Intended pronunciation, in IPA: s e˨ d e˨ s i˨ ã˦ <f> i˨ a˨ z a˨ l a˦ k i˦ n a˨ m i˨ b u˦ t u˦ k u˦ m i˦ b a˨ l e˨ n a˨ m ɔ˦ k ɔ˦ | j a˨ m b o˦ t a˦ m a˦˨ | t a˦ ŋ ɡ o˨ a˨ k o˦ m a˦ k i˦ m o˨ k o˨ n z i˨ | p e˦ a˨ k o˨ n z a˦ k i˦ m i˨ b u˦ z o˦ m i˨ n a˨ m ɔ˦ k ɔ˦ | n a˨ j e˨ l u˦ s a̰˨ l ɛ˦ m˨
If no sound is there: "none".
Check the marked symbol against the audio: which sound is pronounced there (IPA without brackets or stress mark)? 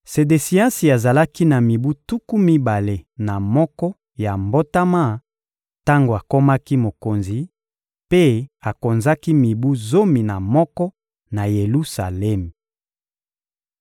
s